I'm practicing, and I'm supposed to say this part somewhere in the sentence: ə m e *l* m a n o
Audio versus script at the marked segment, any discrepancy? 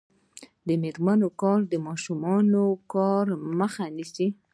yes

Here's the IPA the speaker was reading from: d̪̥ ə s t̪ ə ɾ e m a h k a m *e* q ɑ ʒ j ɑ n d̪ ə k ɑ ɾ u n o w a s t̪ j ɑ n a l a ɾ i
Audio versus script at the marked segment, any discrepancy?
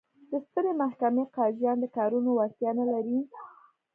no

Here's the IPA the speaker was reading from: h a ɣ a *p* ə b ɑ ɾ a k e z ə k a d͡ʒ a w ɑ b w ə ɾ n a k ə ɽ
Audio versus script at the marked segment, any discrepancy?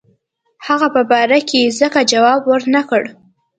no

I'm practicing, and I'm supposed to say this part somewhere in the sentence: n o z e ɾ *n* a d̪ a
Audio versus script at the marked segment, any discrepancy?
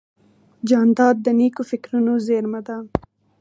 yes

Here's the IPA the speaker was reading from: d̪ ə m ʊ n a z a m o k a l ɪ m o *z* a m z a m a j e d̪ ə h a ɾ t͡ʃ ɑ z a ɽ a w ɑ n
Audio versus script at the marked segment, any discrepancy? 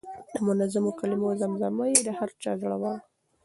no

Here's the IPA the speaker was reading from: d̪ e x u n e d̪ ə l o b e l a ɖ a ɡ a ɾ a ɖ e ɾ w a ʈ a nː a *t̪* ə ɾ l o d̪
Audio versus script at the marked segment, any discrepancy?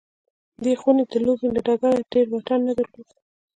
yes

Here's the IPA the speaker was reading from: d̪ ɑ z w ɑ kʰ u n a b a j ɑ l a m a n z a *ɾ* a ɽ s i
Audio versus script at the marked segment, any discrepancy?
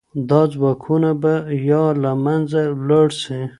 yes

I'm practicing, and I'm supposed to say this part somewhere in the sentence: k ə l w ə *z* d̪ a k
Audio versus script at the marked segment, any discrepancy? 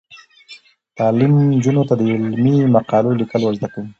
no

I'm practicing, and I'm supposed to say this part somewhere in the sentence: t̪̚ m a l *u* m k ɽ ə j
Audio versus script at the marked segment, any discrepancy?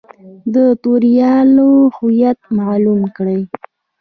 no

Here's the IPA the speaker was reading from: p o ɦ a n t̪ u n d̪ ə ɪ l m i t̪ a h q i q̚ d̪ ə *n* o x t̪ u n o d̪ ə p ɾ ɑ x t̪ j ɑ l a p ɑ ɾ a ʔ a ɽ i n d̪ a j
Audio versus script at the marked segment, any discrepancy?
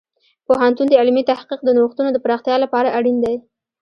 no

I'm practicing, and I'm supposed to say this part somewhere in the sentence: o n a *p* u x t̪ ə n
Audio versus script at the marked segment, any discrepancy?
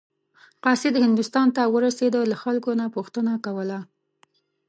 no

